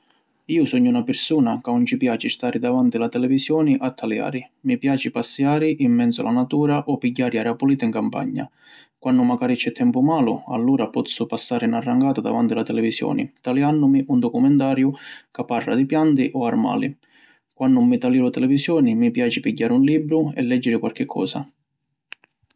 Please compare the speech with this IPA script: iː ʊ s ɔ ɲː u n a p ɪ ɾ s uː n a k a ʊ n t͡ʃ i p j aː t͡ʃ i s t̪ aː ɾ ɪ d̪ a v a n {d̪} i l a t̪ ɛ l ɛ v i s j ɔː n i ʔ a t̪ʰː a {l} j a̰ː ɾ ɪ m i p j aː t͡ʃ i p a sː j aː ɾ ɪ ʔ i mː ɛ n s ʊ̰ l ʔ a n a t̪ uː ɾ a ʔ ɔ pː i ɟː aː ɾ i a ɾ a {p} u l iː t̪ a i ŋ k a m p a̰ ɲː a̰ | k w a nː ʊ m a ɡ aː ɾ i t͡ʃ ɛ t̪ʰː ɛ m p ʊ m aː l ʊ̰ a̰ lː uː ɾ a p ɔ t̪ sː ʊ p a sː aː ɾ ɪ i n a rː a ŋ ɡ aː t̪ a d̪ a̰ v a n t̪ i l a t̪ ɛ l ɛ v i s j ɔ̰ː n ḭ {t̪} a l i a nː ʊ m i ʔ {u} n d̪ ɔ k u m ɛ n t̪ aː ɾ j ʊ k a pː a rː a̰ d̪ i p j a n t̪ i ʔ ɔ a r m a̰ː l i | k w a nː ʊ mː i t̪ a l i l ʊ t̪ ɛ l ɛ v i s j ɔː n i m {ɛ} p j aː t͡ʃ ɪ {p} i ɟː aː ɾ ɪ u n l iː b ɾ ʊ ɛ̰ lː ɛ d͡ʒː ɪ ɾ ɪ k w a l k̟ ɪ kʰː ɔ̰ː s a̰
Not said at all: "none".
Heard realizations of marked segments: t̪, l, p, t̪, u, i, p

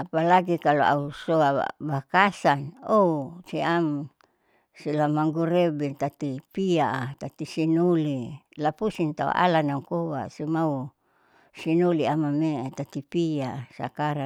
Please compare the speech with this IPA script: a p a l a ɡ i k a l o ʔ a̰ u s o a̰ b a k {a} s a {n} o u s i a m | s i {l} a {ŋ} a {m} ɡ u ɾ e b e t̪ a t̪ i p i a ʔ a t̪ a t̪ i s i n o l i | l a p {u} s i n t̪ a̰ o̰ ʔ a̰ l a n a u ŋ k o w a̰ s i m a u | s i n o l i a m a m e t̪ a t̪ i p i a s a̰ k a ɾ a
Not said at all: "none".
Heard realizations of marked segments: a, n, l, m, ŋ, u

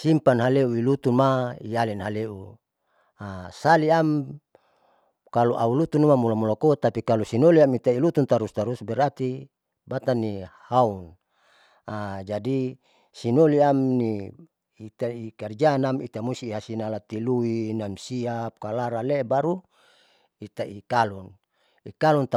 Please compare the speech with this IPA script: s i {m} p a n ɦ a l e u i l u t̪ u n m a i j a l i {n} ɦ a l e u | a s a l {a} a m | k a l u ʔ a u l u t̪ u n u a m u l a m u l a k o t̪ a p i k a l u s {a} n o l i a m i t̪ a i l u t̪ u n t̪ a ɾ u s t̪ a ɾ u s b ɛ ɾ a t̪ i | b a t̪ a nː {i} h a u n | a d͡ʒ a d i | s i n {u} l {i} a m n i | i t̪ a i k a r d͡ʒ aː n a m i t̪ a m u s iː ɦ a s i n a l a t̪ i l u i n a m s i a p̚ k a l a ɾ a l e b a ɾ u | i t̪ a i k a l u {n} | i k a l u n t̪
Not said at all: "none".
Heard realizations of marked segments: m, n, i, i, i, o, i, n

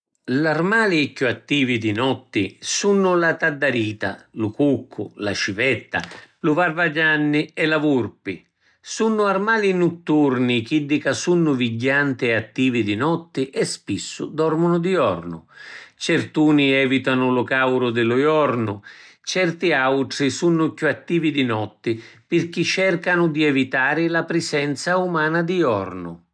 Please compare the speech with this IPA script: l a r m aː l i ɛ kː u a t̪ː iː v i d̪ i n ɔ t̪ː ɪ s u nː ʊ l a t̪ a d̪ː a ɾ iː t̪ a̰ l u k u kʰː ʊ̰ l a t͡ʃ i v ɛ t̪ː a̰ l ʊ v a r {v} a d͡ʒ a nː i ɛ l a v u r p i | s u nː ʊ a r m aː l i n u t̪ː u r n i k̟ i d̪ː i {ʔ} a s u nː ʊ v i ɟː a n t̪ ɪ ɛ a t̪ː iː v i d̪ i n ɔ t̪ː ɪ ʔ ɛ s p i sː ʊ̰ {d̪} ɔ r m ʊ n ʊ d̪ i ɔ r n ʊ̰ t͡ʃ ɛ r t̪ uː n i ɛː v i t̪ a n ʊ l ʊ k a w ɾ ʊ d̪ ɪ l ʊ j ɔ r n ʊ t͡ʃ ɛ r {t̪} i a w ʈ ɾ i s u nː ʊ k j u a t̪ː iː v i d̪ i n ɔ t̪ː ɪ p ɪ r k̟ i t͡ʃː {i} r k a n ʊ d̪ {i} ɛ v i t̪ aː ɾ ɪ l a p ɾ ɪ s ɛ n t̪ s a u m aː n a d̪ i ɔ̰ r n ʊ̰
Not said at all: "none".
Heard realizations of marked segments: v, k, d̪, t̪, ɛ, i

